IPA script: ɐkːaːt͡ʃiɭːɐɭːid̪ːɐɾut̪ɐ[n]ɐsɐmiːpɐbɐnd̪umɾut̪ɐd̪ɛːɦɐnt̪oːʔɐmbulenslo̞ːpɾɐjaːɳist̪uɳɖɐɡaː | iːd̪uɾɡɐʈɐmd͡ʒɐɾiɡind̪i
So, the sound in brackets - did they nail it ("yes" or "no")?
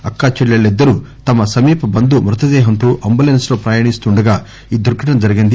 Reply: no